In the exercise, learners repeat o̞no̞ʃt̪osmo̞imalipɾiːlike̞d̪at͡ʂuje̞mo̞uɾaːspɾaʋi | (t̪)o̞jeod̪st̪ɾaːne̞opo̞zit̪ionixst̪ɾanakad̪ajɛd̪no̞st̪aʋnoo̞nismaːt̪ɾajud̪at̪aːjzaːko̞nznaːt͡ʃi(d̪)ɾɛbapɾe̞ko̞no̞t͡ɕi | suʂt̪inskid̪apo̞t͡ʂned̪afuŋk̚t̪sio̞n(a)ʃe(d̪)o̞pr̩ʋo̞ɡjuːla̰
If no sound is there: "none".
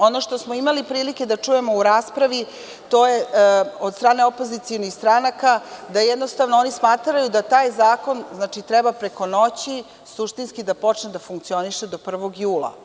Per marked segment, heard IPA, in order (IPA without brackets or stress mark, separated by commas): t̪, t̪, i, d̪